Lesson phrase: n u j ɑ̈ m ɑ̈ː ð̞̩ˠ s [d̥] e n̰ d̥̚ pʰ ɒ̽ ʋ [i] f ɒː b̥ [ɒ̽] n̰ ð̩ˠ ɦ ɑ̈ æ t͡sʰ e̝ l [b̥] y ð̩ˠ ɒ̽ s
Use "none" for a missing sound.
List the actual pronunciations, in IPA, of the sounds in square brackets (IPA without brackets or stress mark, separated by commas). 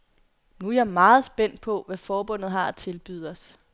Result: b̥, æ, ɔ̽, b̥